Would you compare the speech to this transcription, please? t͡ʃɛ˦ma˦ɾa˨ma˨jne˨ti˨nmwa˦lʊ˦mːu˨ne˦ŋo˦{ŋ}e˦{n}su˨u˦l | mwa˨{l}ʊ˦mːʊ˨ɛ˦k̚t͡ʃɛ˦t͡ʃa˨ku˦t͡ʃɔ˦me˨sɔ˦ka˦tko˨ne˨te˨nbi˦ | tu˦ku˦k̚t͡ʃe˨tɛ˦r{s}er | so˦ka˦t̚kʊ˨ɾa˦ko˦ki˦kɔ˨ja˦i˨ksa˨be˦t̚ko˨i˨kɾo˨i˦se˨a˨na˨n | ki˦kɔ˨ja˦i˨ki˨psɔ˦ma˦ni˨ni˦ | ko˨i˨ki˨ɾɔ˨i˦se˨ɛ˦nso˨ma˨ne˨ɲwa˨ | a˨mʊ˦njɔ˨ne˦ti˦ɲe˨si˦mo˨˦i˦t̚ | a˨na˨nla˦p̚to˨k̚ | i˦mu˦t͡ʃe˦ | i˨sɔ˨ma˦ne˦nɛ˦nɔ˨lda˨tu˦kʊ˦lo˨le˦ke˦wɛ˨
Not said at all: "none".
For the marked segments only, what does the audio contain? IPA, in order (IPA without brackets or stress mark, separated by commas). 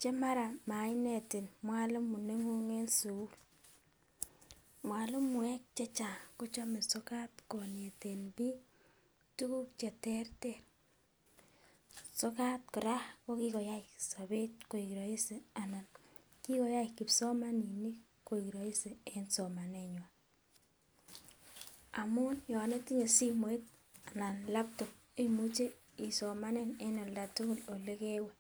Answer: ŋ, n, l, t